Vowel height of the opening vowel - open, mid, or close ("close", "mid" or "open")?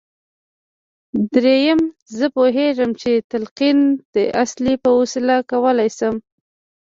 mid